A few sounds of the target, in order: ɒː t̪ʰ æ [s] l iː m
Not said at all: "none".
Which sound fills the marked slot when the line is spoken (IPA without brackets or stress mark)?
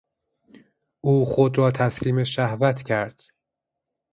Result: s